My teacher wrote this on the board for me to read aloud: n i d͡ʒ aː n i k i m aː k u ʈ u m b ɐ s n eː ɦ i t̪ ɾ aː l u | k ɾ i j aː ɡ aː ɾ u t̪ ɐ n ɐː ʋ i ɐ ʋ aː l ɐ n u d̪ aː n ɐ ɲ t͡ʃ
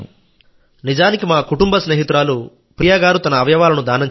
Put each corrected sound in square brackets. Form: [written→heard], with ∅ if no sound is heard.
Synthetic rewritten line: n i d͡ʒ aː n i k i m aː k u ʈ u m b ɐ s n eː ɦ i t̪ ɾ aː l u | [k→p] ɾ i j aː ɡ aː ɾ u t̪ ɐ n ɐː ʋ [i→j] ɐ ʋ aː l ɐ n u d̪ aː n ɐ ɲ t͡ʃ